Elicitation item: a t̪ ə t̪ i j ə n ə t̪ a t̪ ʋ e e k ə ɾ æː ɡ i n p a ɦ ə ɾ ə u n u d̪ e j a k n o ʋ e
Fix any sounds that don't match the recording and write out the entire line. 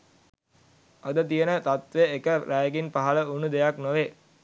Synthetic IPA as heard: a d̪ ə t̪ i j ə n ə t̪ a t̪ ʋ e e k ə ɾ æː ɡ i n p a ɦ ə l ə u n u d̪ e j a k n o ʋ e